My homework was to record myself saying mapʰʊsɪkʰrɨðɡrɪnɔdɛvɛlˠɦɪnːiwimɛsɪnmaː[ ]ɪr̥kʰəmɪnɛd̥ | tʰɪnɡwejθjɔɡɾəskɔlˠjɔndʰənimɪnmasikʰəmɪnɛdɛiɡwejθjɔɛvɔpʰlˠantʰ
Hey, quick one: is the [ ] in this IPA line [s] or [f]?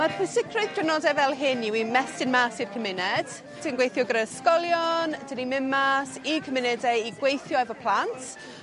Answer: s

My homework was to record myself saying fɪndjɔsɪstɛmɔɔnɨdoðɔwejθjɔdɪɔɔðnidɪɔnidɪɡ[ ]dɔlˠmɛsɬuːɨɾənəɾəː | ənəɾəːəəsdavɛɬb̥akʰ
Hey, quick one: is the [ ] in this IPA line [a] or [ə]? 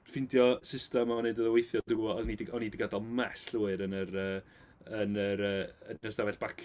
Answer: a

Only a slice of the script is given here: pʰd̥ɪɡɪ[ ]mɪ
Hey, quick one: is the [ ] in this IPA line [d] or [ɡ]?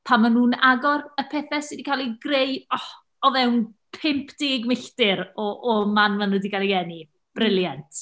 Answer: ɡ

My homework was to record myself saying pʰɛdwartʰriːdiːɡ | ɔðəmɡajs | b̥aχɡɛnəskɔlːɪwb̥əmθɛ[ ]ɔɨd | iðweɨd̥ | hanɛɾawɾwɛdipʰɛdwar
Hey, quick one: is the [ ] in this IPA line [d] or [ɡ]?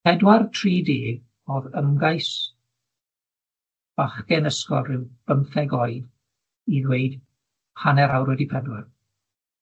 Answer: ɡ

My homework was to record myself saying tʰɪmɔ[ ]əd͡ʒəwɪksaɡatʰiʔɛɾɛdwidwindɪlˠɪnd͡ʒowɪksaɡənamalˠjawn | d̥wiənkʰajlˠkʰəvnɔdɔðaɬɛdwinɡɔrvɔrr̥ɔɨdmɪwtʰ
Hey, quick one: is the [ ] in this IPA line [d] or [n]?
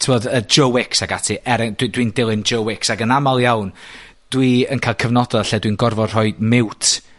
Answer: d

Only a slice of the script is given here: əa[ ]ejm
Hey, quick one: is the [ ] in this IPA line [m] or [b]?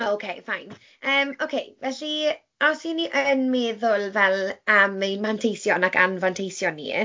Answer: m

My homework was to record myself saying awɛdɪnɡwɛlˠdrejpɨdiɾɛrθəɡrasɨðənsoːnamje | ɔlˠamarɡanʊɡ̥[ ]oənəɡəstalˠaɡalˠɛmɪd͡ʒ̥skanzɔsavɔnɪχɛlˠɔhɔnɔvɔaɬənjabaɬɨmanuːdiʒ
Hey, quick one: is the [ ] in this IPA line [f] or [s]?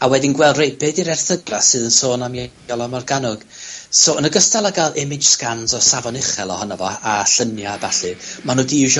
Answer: s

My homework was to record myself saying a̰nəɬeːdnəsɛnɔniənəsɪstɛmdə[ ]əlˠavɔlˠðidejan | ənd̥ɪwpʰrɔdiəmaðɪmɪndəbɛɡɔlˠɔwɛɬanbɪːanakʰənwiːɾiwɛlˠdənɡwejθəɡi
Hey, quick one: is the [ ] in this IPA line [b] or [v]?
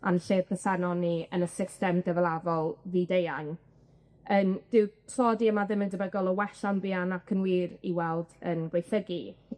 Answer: v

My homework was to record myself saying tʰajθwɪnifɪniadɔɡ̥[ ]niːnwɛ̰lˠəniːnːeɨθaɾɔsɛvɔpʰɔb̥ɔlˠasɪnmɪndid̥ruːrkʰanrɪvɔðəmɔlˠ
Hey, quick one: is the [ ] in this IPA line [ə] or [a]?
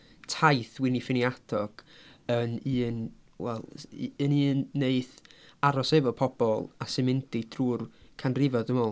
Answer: ə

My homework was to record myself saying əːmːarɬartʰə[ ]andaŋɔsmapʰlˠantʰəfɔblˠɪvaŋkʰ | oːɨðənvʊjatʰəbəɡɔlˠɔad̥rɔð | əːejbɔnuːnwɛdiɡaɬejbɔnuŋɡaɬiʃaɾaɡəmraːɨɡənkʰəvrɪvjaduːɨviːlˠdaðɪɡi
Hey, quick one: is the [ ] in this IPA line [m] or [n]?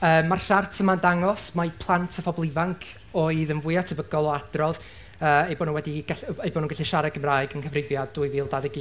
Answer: m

